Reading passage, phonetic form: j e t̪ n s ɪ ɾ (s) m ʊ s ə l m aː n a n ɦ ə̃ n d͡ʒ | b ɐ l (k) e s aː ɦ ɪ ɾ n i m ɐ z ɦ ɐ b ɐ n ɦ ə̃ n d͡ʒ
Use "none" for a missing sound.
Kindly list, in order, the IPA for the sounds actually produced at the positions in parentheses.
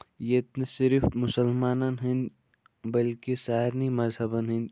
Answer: f, k

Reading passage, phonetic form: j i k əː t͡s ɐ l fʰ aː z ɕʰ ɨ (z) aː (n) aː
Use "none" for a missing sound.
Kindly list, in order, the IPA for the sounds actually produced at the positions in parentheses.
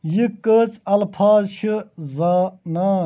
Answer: z, n

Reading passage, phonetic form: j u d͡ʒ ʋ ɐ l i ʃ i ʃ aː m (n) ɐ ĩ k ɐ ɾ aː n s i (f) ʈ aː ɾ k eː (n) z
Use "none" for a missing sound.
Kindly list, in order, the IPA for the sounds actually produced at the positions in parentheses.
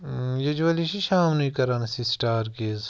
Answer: n, s, none

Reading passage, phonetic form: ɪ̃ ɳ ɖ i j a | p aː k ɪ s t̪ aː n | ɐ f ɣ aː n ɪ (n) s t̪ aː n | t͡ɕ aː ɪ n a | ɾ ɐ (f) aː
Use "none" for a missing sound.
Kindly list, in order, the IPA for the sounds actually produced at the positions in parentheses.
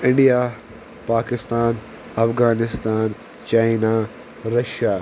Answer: none, ʃ

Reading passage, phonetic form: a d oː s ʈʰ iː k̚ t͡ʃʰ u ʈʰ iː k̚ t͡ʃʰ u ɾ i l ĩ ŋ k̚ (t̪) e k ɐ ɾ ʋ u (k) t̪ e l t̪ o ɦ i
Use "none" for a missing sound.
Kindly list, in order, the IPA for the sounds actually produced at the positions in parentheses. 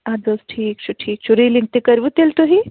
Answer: t̪, none

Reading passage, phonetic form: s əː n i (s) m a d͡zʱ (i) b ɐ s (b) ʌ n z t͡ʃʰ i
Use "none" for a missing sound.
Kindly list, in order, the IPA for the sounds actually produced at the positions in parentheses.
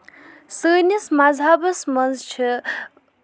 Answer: s, a, m

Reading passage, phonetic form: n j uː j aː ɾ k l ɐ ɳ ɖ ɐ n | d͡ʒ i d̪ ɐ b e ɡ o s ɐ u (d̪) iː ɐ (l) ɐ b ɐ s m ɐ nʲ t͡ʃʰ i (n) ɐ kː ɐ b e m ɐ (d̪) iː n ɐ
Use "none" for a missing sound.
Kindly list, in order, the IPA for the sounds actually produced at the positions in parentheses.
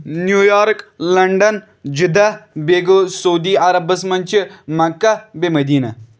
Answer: d̪, ɾ, m, d̪

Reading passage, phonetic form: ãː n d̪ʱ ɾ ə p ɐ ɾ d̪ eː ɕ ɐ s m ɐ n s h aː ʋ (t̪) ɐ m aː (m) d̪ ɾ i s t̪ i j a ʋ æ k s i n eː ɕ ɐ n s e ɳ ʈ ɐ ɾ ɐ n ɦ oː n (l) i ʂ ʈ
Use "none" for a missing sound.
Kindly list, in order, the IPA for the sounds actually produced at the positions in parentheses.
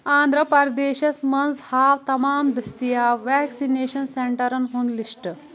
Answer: t̪, m, l

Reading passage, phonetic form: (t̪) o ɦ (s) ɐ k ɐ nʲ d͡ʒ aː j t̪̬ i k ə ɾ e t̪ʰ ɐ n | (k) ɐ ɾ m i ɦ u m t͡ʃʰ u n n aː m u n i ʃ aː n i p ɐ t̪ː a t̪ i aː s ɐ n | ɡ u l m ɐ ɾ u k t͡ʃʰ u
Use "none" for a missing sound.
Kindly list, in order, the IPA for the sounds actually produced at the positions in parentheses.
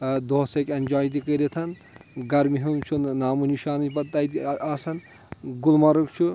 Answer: d̪, s, ɡ

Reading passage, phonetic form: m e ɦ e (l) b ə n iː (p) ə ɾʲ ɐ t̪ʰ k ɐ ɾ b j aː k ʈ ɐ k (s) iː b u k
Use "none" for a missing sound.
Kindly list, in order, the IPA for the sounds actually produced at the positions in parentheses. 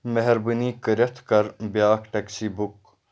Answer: ɾ, k, s

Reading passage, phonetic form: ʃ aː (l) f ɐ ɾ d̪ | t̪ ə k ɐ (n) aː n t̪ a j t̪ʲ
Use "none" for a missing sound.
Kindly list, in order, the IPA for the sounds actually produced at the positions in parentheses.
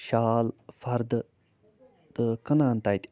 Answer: l, n

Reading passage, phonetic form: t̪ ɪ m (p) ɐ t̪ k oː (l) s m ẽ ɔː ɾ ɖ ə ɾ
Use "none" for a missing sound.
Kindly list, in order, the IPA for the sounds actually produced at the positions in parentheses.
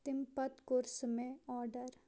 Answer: p, ɾ

